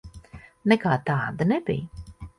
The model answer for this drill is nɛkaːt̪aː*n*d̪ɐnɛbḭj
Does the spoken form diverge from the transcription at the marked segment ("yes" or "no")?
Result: yes